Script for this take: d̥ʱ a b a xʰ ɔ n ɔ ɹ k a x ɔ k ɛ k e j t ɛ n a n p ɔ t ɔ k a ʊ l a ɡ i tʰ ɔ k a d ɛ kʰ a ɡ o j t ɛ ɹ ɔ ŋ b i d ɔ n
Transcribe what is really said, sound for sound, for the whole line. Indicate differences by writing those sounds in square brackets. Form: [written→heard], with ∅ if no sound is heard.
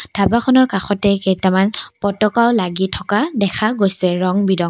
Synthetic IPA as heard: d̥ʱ a b a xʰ ɔ n ɔ ɹ k a x ɔ [k→t] ɛ k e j t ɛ [n→m] a n p ɔ t ɔ k a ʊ l a ɡ i tʰ ɔ k a d ɛ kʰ a ɡ o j [t→s] ɛ ɹ ɔ ŋ b i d ɔ [n→ŋ]